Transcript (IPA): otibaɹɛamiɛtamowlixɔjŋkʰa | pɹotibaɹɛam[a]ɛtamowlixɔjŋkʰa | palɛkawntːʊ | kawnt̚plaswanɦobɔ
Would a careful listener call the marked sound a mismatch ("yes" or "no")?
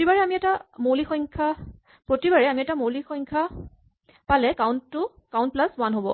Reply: yes